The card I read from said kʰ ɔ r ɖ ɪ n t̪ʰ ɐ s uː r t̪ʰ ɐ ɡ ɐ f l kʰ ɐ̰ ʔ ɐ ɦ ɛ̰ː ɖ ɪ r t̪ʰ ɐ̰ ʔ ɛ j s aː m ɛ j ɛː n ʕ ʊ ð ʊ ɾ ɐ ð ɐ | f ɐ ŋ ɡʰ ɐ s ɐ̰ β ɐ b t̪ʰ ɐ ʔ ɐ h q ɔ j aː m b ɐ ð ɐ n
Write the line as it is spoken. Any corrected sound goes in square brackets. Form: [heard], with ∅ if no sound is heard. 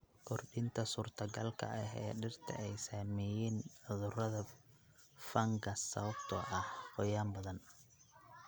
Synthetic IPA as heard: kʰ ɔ r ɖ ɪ n t̪ʰ ɐ s uː r t̪ʰ ɐ ɡ ɐ [∅] l kʰ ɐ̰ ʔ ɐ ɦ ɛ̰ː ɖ ɪ r t̪ʰ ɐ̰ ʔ ɛ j s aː m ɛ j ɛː n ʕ ʊ ð ʊ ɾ ɐ ð ɐ | f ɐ ŋ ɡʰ ɐ s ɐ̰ β ɐ b t̪ʰ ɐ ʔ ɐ h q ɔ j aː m b ɐ ð ɐ n